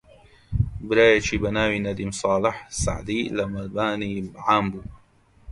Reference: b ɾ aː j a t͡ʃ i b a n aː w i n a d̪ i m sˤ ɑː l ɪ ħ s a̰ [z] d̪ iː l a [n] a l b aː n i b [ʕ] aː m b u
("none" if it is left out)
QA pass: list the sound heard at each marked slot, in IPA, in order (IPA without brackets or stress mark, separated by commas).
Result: ʕ, m, ʕ